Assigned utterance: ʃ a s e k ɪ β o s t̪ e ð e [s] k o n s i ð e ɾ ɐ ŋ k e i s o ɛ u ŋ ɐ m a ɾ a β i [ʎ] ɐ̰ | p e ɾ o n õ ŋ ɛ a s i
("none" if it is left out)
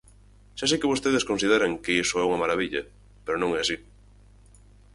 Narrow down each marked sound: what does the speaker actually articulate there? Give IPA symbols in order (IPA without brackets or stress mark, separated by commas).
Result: s, ʎ